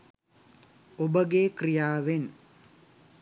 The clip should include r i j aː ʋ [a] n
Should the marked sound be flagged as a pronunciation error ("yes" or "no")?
yes